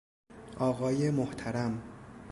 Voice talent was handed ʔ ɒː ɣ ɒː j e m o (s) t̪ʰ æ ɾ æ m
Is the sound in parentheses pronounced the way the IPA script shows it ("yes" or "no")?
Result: no